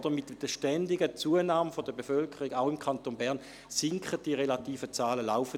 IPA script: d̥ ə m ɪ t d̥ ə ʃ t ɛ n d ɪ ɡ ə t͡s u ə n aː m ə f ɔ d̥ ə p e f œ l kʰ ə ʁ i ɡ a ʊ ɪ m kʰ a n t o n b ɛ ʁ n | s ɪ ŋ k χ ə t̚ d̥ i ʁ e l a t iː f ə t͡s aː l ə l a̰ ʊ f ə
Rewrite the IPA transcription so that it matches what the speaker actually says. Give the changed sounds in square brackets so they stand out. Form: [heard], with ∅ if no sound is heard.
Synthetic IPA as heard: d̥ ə m ɪ t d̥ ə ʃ t ɛ n d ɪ ɡ ə t͡s u ə n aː m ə f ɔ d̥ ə [b] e f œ l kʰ ə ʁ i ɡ a ʊ ɪ m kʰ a n t o n b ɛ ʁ n | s ɪ ŋ k χ ə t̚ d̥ i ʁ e l a t iː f ə t͡s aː l ə l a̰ ʊ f ə